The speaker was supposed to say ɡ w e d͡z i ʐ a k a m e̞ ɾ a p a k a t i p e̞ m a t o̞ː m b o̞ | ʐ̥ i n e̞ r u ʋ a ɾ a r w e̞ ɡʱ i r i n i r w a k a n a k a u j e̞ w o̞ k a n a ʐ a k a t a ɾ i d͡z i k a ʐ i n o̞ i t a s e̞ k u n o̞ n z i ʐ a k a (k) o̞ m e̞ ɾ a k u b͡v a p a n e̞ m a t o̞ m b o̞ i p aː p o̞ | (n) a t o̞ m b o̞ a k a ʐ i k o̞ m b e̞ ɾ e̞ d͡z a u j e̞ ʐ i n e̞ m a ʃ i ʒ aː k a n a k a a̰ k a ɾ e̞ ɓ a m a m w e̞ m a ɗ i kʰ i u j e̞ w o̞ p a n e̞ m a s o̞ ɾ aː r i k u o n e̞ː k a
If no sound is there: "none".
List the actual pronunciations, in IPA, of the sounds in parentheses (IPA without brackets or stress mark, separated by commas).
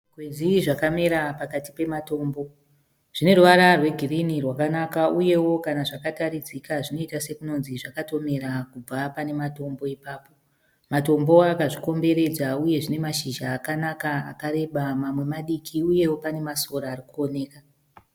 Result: t, m